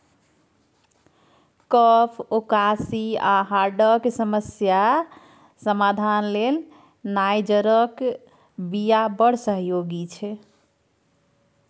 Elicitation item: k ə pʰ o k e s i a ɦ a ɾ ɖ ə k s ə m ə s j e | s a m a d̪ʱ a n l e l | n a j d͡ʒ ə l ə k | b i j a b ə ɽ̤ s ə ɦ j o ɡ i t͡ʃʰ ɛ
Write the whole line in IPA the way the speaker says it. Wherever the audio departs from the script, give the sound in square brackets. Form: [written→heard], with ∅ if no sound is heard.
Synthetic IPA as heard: k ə pʰ o k [e→a] s i a ɦ a ɾ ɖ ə k s ə m ə s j [e→a] | s [a→ə] m a d̪ʱ a n l e l | n a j d͡ʒ ə [l→ɾ] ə k | b i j a b ə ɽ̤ s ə ɦ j o ɡ i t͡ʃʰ ɛ